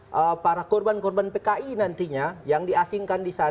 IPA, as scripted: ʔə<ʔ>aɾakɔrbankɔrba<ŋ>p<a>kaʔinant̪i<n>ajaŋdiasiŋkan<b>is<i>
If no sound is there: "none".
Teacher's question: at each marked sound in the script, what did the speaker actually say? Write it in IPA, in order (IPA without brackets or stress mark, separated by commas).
p, n, e, ɲ, d, a